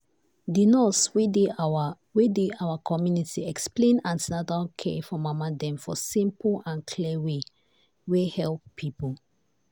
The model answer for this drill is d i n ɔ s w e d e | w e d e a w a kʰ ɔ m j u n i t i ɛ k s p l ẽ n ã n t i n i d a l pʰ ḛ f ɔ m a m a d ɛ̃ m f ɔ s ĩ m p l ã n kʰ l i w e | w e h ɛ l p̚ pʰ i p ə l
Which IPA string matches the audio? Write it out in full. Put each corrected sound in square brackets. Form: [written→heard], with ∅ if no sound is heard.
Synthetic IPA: d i n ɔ s w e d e | w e d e a w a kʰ ɔ m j u n i t i ɛ k s p l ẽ n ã n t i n [i→a] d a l [pʰ→kʰ] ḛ f ɔ m a m a d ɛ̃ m f ɔ s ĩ m p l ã n kʰ l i w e | w e h ɛ l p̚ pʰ i p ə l